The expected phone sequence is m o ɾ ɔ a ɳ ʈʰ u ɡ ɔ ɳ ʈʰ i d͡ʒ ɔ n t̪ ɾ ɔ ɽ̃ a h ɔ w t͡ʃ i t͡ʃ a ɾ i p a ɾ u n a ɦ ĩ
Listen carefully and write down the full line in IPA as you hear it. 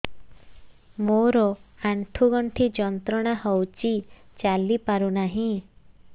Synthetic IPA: m o ɾ ɔ a ɳ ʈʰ u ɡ ɔ ɳ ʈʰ i d͡ʒ ɔ n t̪ ɾ ɔ ɽ̃ a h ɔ w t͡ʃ i t͡ʃ a l i p a ɾ u n a ɦ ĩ